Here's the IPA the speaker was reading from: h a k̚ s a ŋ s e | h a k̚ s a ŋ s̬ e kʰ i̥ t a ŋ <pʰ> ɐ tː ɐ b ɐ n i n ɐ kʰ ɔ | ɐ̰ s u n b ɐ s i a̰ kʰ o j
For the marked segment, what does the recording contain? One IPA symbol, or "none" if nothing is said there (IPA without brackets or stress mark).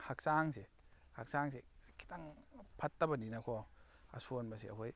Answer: pʰ